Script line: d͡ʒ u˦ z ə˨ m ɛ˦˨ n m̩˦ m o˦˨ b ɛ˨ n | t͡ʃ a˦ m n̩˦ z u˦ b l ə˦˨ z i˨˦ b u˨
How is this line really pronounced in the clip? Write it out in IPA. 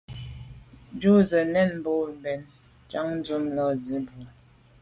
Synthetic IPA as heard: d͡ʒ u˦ z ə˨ n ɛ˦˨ n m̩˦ b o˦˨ b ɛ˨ n | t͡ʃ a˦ ŋ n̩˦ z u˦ m l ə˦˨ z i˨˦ b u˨